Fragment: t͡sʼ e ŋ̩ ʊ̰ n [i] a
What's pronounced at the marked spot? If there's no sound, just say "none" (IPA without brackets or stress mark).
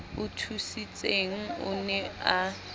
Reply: ɛ